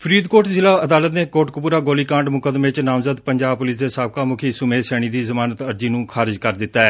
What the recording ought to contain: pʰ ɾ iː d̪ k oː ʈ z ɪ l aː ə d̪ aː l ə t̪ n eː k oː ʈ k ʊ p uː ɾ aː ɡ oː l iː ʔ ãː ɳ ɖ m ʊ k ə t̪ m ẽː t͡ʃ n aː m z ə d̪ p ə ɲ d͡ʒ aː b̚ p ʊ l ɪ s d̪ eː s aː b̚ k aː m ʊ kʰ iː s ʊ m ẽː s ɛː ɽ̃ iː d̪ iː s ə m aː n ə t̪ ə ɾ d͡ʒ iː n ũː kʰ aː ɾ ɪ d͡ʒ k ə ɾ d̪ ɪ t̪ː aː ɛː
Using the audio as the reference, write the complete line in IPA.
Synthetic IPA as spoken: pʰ ɾ iː d̪ k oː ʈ z ɪ l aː ə d̪ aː l ə t̪ n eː k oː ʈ k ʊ p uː ɾ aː ɡ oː l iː k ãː ɳ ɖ m ʊ k ə d̪ m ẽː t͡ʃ n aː m z ə d̪ p ə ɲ d͡ʒ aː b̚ p ʊ l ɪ s d̪ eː s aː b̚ k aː m ʊ kʰ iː s ʊ m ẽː s ɛː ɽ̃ iː d̪ iː z ə m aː n ə t̪ ə ɾ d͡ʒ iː n ũː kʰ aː ɾ ɪ d͡ʒ k ə ɾ d̪ ɪ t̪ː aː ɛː

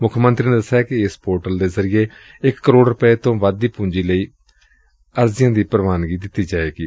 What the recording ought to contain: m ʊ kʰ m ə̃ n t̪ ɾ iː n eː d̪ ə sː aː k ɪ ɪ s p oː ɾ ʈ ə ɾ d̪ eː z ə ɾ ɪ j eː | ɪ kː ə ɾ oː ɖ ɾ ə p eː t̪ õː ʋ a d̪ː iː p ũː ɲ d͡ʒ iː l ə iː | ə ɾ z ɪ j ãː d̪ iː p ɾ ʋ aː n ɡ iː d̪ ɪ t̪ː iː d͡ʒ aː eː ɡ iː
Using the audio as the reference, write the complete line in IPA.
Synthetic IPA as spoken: m ʊ kʰ m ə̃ n t̪ ɾ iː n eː d̪ ə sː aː k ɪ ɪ s p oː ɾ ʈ ə l d̪ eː z ə ɾ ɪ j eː | ɪ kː ə ɾ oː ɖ ɾ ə p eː t̪ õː ʋ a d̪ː iː p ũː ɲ d͡ʒ iː l ə iː | ə ɾ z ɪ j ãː d̪ iː p ɾ ʋ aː n ɡ iː d̪ ɪ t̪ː iː d͡ʒ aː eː ɡ iː

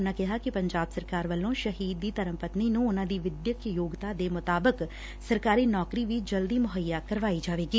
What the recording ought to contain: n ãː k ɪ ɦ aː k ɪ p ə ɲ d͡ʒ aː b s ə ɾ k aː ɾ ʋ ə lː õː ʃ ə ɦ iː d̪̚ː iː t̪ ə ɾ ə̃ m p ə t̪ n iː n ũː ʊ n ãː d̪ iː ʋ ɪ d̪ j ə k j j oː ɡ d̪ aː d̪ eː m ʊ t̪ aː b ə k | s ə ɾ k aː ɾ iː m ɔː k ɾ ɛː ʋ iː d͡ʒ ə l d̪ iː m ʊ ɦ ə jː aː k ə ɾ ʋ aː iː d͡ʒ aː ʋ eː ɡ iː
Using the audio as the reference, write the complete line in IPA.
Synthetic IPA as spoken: n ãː k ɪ ɦ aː k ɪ p ə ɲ d͡ʒ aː b s ə ɾ k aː ɾ ʋ ə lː õː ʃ ə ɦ iː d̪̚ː iː t̪ ə ɾ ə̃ m p ə t̪ n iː n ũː ʊ n ãː d̪ iː ʋ ɪ d̪ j ə k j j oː ɡ t̪ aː d̪ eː m ʊ t̪ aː b ə k | s ə ɾ k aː ɾ iː n ɔː k ɾ iː ʋ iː d͡ʒ ə l d̪ iː m ʊ ɦ ə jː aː k ə ɾ ʋ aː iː d͡ʒ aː ʋ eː ɡ iː

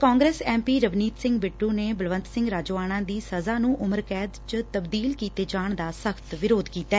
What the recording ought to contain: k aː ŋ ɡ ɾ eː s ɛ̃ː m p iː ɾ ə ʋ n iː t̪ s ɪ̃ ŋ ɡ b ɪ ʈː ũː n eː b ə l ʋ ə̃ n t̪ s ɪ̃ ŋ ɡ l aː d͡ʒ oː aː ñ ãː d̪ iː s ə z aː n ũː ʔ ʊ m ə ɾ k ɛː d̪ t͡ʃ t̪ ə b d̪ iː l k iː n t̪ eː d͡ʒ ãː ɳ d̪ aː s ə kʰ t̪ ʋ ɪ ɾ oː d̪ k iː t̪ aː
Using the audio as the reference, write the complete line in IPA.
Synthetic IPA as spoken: k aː ŋ ɡ ɾ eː s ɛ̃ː m p iː ɾ ə ʋ n iː t̪ s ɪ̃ ŋ ɡ b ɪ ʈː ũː n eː b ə l ʋ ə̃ n t̪ s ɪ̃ ŋ ɡ ɾ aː d͡ʒ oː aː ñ ãː d̪ iː s ə z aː n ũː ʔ ʊ m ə ɾ k ɛː d̪ t͡ʃ t̪ ə b d̪ iː l k iː t̪ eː d͡ʒ aː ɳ d̪ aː s ə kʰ t̪ ʋ ɪ ɾ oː d̪ k iː t̪ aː

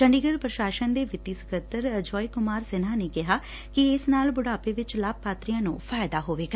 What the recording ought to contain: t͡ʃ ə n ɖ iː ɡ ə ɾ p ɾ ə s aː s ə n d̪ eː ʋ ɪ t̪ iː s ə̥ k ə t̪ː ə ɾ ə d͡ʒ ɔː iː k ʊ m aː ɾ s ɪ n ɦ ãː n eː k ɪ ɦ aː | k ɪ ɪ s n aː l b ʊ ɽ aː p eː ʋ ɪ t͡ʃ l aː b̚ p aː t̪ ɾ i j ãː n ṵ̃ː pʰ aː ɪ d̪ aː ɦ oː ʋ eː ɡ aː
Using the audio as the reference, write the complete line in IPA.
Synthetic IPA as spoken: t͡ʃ ə ɳ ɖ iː ɡ ə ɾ p ɾ ə ʃ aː ʃ ə n d̪ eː ʋ ɪ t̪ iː s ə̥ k ə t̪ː ə ɾ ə d͡ʒ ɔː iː k ʊ m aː ɾ s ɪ n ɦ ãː n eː k ɪ ɦ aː | k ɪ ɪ s n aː l b ʊ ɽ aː p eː ʋ ɪ t͡ʃ l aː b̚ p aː t̪ ɾ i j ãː n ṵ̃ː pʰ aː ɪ d̪ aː ɦ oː ʋ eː ɡ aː

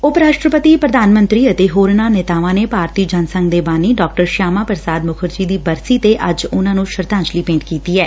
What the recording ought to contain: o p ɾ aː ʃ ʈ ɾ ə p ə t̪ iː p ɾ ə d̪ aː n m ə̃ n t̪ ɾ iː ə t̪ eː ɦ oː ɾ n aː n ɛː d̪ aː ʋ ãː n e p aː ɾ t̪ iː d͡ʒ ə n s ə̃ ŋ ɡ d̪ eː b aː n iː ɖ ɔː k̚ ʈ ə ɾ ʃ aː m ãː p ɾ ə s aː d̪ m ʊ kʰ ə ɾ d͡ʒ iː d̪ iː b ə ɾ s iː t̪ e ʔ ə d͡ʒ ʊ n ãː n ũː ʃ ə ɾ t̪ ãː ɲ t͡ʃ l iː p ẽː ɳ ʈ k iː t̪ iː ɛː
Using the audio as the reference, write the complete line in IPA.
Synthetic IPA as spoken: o p ɾ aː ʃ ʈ ɾ ə p ə t̪ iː p ɾ ə d̪ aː n m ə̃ n t̪ ɾ iː ə t̪ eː ɦ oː ɾ n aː n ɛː t̪ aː ʋ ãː n e p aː ɾ t̪ iː d͡ʒ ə n s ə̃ ŋ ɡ d̪ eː b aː n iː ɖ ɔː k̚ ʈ ə ɾ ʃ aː m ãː p ɾ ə s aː d̪ m ʊ kʰ ə ɾ d͡ʒ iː d̪ iː b ə ɾ s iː t̪ e ʔ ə d͡ʒ ʊ n ãː n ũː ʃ ə ɾ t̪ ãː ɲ t͡ʃ l iː p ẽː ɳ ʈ k iː t̪ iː ɛː

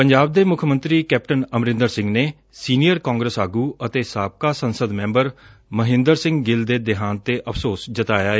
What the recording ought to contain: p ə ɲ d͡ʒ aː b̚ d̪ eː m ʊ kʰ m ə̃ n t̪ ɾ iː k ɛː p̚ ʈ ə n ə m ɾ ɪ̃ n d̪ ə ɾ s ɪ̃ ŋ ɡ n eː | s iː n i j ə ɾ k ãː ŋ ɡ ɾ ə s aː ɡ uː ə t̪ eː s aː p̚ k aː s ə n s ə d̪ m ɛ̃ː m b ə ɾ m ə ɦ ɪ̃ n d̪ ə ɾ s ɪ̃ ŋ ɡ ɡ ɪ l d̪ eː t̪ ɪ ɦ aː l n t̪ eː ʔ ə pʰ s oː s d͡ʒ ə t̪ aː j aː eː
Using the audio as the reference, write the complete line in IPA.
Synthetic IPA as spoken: p ə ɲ d͡ʒ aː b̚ d̪ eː m ʊ kʰ m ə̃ n t̪ ɾ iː k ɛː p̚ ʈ ə n ə m ɾ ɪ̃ n d̪ ə ɾ s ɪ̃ ŋ ɡ n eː | s iː n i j ə ɾ k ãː ŋ ɡ ɾ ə s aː ɡ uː ə t̪ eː s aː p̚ k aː s ə n s ə d̪ m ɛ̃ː m b ə ɾ m ə ɦ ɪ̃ n d̪ ə ɾ s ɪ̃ ŋ ɡ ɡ ɪ l d̪ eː d̪ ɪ ɦ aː n t̪ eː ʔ ə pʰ s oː s d͡ʒ ə t̪ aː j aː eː

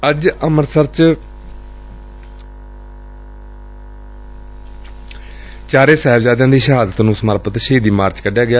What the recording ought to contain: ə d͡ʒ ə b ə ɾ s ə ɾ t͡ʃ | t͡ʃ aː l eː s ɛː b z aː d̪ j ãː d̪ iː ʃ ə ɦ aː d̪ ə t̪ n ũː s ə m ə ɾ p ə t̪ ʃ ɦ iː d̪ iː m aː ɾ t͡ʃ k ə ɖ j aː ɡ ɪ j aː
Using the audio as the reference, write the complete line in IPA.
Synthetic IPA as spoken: ə d͡ʒ ə m ə ɾ s ə ɾ t͡ʃ | t͡ʃ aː ɾ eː s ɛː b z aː d̪ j ãː d̪ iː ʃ ə ɦ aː d̪ ə t̪ n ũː s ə m ə ɾ p ə t̪ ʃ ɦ iː d̪ iː m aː ɾ t͡ʃ k ə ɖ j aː ɡ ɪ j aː

